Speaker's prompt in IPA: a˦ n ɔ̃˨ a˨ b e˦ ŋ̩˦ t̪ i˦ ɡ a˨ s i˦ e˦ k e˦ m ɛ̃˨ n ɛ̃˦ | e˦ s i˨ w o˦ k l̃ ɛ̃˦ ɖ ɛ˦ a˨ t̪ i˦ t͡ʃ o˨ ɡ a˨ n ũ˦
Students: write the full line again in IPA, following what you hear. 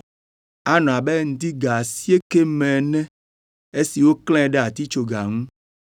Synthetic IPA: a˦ n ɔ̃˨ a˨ b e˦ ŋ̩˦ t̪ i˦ ɡ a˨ s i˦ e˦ k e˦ m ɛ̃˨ n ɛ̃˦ | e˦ s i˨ w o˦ k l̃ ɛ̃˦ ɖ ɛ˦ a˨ t̪ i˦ t͡ʃ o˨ ɡ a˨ ŋ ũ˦